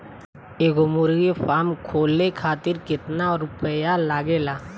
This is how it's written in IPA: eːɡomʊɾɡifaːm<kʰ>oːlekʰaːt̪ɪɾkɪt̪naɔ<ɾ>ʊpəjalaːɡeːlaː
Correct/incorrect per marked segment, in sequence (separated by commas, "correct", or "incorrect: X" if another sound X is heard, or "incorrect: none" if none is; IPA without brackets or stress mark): correct, correct